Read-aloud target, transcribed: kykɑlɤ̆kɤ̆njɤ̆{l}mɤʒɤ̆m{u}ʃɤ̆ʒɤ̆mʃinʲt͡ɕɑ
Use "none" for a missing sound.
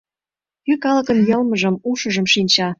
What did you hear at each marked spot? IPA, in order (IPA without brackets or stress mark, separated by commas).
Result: l, u